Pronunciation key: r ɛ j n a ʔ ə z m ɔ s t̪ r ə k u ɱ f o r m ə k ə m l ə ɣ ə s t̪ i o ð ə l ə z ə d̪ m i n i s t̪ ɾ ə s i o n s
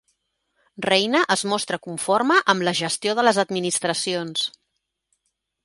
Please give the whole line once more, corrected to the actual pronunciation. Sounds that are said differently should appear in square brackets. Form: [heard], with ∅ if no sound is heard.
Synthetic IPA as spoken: r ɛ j n [ə] ʔ ə z m ɔ s t̪ [ɾ] ə k u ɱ f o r m ə [ʔ] ə m l ə [ʒ] ə s t̪ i o ð ə l ə z ə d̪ m i n i s t̪ ɾ ə s i o n s